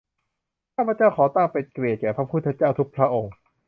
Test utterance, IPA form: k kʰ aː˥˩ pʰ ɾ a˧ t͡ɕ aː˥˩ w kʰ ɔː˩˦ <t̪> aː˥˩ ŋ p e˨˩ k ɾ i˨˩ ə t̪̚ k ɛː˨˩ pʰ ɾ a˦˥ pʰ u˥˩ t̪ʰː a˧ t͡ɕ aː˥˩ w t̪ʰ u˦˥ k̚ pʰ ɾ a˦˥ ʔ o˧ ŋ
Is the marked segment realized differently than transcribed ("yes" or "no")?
no